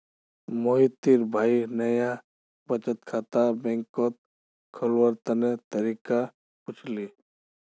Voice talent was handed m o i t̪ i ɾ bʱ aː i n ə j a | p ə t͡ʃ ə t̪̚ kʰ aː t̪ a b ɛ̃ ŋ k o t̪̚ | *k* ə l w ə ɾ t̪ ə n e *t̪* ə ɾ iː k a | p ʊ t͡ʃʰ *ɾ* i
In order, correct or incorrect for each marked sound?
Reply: incorrect, correct, incorrect

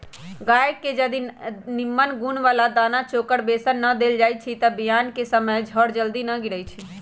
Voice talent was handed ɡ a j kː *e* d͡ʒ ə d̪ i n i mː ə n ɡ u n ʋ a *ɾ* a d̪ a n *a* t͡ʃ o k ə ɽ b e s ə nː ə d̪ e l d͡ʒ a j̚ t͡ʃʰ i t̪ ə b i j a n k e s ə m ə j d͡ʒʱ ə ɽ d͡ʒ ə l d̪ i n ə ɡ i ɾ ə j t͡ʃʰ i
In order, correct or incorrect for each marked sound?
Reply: correct, incorrect, correct

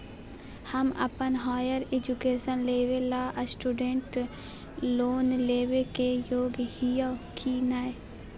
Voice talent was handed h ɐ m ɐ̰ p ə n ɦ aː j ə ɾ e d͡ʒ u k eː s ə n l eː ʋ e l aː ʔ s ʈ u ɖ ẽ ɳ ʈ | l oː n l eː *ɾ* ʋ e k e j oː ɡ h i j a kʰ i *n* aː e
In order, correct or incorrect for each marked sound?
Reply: incorrect, correct

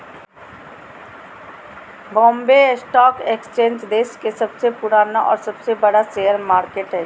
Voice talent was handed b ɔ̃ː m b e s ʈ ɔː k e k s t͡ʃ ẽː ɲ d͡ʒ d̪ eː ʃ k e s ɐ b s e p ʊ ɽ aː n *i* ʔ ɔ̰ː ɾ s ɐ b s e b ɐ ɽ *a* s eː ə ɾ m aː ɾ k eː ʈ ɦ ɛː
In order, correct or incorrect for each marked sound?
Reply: incorrect, correct

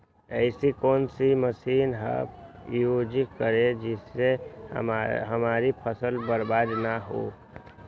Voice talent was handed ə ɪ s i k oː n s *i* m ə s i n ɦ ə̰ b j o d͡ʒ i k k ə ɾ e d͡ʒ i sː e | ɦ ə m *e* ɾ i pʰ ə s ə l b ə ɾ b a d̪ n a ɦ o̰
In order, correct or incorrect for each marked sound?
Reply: correct, incorrect

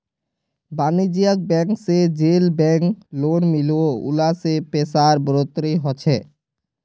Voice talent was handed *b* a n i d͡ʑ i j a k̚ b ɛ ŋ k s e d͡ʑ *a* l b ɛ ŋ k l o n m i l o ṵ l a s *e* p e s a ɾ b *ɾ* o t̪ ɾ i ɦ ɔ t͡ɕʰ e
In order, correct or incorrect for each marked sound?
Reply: correct, incorrect, correct, correct

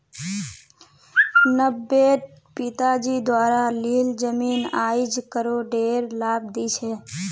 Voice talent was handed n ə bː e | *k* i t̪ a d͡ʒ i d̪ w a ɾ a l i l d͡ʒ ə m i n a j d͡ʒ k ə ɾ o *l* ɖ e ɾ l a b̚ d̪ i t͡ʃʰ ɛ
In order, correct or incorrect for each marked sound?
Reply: incorrect, incorrect

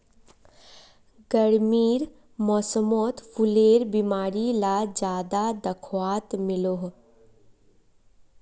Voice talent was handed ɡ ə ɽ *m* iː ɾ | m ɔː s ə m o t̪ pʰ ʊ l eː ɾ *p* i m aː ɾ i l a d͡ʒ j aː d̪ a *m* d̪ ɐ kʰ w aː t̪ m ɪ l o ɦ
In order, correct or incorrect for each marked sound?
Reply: correct, incorrect, incorrect

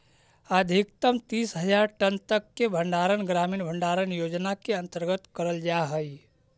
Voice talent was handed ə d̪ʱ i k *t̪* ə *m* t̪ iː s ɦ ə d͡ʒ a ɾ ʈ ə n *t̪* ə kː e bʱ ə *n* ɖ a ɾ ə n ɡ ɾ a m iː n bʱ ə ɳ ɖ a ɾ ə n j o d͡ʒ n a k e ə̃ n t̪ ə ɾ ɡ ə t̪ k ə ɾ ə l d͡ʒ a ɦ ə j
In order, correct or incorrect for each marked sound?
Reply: correct, correct, correct, incorrect

